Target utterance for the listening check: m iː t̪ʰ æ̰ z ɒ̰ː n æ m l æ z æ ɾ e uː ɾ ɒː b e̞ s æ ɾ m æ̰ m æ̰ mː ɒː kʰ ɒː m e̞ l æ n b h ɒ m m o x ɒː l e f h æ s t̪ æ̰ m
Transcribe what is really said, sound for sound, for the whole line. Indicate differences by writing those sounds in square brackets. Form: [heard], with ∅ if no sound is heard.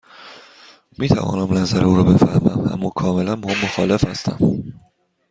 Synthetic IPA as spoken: m iː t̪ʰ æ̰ [v] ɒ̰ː n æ m l æ z æ ɾ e uː ɾ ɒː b e̞ [f] æ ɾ m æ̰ m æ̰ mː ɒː kʰ ɒː m e̞ l æ n b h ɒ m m o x ɒː l e f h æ s t̪ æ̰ m